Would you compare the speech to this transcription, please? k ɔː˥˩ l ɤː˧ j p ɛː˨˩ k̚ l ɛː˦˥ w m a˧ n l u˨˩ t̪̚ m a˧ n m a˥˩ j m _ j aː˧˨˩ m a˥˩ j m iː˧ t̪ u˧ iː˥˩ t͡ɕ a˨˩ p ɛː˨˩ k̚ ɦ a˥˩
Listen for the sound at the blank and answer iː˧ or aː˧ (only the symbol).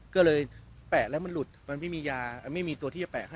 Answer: iː˧